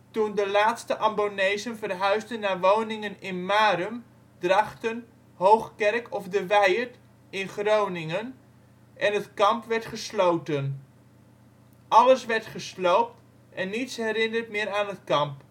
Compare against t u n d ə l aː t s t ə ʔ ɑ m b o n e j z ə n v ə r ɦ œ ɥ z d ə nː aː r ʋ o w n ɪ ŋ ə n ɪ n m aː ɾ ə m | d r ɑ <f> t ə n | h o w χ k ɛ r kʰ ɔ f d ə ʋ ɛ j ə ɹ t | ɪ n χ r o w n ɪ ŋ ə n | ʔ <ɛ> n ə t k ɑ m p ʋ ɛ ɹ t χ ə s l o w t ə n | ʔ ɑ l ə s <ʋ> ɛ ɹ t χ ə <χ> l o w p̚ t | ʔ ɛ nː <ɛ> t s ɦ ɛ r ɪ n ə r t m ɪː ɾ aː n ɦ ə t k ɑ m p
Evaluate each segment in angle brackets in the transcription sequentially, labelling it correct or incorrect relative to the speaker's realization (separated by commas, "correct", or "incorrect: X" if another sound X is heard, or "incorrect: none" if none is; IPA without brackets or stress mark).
incorrect: χ, correct, correct, incorrect: s, incorrect: i